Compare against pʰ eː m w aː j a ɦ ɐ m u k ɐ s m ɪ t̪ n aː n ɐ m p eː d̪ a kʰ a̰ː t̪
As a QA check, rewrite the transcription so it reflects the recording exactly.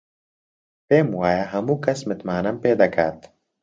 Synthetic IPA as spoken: p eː m w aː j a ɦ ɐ m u k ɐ s m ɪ t̪ m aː n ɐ m p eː d̪ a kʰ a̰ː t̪